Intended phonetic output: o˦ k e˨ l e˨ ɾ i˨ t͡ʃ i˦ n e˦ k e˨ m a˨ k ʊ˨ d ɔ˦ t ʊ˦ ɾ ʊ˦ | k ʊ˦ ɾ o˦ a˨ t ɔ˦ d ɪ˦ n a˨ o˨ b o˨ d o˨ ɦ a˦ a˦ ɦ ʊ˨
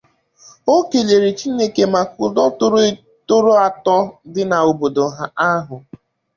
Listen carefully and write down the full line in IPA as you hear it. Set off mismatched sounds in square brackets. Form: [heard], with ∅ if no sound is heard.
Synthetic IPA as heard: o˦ k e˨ l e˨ ɾ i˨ t͡ʃ i˦ n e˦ k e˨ m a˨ k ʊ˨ d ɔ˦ t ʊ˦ ɾ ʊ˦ | [t] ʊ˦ ɾ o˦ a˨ t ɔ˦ d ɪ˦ n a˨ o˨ b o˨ d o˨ ɦ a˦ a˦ ɦ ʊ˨